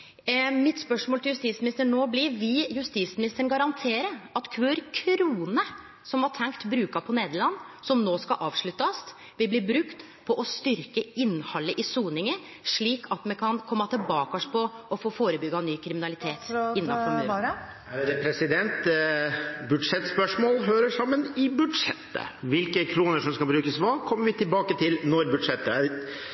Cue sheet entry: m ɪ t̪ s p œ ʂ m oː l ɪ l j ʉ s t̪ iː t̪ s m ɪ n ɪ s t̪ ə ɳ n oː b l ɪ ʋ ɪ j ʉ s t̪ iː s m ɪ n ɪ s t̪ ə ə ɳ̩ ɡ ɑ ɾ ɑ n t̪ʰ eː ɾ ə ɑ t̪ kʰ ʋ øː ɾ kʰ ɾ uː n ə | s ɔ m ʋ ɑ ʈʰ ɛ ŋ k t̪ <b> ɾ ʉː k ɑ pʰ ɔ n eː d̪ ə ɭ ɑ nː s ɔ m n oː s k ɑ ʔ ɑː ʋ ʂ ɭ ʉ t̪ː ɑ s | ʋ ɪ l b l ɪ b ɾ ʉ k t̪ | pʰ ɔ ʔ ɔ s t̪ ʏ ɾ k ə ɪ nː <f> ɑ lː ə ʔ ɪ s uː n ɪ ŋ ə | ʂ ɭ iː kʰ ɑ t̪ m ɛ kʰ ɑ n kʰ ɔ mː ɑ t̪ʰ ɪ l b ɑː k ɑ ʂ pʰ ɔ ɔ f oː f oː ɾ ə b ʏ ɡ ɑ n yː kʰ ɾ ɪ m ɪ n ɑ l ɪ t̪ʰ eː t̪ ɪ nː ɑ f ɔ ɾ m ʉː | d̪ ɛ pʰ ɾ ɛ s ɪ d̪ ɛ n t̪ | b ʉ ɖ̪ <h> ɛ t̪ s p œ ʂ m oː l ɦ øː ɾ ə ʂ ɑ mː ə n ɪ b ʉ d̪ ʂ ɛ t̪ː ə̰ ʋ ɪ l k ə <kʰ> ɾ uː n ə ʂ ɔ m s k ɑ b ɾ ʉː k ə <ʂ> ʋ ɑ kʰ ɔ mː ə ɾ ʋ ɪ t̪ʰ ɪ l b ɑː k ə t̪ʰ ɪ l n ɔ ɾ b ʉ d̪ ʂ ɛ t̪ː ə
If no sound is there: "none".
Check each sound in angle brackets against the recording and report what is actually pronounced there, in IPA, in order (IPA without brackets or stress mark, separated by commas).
b, h, ʂ, kʰ, s